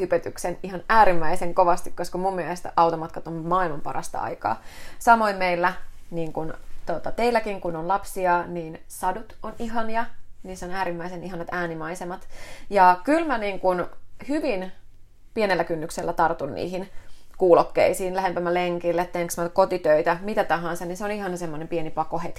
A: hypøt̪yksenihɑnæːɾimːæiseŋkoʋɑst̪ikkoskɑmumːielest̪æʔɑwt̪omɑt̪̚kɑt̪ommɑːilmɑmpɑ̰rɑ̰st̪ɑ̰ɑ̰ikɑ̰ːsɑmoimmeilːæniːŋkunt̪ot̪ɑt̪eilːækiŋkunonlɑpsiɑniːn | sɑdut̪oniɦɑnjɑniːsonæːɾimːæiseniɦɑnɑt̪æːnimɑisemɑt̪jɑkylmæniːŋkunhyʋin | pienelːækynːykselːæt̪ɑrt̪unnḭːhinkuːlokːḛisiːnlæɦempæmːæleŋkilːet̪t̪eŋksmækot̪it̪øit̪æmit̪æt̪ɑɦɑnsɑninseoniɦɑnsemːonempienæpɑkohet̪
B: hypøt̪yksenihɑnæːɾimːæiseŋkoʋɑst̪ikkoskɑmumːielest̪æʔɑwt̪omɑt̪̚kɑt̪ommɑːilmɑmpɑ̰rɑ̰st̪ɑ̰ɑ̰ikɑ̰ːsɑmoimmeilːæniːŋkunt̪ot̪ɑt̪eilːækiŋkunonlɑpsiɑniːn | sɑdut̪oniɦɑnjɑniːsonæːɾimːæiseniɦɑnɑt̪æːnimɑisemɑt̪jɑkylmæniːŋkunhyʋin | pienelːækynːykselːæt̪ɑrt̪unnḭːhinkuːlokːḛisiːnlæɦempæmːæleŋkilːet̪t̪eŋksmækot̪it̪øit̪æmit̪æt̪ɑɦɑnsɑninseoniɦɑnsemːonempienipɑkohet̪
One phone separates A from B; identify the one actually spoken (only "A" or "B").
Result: B